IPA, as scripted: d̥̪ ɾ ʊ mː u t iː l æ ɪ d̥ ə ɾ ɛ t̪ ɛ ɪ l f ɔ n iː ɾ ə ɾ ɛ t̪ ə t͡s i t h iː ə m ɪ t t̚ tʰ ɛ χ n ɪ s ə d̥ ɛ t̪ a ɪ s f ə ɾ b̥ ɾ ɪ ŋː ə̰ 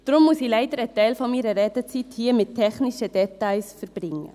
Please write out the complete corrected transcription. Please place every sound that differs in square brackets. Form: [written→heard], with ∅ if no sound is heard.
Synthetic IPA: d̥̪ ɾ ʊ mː u [t→s] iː l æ ɪ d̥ ə ɾ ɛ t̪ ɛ ɪ l f ɔ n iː ɾ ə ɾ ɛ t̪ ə t͡s i t h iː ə m ɪ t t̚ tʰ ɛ χ n ɪ [s→ʃ] ə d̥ ɛ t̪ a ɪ s f ə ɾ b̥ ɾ ɪ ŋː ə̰